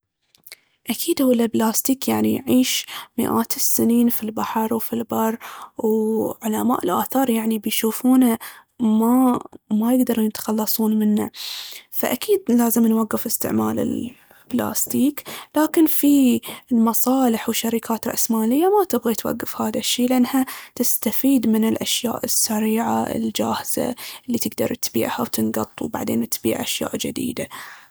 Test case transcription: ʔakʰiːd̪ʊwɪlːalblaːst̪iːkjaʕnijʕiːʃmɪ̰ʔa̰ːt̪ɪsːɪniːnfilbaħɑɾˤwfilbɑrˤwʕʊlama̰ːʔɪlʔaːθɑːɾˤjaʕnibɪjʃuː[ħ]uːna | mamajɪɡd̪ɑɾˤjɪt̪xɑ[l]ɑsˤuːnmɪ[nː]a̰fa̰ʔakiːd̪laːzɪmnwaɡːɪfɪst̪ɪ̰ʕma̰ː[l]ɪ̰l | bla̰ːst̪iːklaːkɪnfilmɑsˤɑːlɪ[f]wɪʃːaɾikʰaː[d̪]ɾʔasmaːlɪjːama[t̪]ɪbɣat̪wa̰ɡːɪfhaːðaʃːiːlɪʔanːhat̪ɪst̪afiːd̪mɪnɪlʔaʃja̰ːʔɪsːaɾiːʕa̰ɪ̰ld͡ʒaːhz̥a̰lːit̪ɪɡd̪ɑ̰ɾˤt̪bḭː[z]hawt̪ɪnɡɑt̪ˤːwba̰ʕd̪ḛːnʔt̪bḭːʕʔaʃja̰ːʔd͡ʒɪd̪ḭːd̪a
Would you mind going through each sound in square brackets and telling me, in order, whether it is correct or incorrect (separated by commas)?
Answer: incorrect, incorrect, correct, correct, incorrect, incorrect, correct, incorrect